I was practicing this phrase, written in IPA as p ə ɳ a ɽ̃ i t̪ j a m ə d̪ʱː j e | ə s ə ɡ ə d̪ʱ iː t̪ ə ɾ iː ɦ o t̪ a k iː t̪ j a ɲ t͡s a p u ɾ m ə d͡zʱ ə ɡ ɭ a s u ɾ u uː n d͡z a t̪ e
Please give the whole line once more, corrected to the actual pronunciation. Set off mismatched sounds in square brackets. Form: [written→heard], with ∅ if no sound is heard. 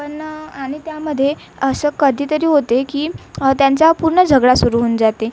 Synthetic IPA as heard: p ə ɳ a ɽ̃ i t̪ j a m ə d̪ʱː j e | ə s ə [ɡ→k] ə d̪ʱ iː t̪ ə ɾ iː ɦ o t̪ [a→e] k iː t̪ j a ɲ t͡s a p u ɾ [m→ɳ] ə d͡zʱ ə ɡ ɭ a s u ɾ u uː n d͡z a t̪ e